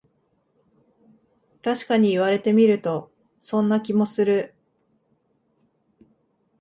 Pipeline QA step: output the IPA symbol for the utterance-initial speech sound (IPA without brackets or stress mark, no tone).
t̪